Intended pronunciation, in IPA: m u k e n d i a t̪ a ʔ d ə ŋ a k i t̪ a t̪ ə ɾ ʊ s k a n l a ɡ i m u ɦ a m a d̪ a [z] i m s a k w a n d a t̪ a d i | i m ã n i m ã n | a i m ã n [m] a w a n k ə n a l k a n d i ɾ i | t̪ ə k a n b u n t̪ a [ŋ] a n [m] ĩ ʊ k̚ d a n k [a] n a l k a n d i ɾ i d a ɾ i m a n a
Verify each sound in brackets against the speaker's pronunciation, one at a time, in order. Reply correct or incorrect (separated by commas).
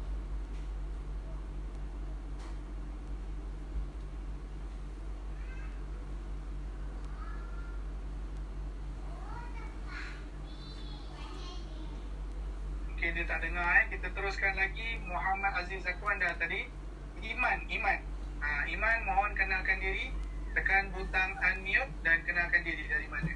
correct, correct, correct, correct, incorrect